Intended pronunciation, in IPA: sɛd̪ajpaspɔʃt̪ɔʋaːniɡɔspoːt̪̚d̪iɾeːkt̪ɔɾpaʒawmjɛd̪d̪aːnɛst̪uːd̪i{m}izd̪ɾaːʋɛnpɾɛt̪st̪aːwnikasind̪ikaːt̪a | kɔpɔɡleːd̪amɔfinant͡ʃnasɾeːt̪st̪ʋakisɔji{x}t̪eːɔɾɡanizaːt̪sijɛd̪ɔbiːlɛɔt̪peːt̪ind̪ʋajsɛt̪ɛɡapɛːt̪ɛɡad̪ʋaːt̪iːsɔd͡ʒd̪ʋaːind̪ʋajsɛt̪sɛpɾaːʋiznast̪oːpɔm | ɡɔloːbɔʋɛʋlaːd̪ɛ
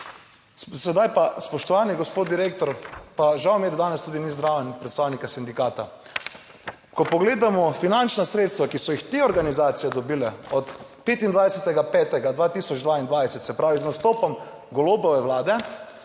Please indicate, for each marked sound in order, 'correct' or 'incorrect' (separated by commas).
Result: incorrect, correct